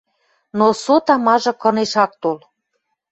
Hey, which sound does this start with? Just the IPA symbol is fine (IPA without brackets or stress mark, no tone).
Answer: n